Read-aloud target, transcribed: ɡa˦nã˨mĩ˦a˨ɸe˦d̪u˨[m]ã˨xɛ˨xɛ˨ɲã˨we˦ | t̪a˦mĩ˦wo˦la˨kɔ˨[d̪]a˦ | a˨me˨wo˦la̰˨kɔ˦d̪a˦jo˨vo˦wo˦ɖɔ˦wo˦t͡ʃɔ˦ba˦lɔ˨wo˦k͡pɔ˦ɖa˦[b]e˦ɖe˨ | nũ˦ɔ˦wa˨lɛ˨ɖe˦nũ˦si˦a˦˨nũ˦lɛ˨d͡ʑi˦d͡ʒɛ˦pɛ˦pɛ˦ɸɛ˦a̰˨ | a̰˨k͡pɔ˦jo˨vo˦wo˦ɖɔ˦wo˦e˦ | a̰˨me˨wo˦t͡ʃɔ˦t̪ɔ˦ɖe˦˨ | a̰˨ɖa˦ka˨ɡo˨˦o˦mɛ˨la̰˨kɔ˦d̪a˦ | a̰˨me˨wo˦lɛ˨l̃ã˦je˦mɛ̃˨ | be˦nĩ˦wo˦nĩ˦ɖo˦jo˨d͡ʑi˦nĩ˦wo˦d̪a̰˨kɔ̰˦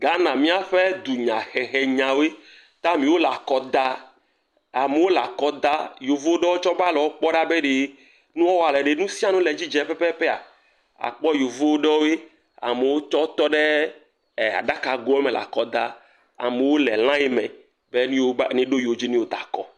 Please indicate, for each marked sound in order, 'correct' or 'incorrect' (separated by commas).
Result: incorrect, correct, correct